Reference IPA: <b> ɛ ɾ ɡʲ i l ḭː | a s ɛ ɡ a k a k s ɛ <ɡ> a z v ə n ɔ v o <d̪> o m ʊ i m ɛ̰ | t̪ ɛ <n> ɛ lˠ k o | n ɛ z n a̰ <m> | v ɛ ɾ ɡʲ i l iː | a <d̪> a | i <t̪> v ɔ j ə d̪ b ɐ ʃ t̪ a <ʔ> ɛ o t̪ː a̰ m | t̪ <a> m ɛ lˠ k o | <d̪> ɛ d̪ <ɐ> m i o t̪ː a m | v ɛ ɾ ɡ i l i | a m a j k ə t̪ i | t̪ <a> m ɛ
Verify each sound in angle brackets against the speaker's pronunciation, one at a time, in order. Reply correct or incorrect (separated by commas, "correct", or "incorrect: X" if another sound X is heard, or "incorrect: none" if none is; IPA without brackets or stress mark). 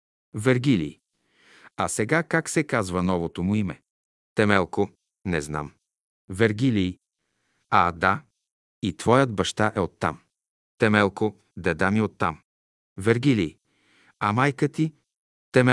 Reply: incorrect: v, incorrect: k, incorrect: t̪, incorrect: m, correct, correct, correct, correct, incorrect: ɛ, correct, incorrect: a, incorrect: ɛ